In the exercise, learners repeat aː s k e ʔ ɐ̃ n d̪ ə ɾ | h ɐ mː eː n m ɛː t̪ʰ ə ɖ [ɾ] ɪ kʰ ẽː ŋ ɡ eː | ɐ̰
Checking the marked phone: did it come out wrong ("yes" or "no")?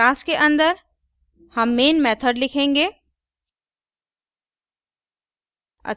yes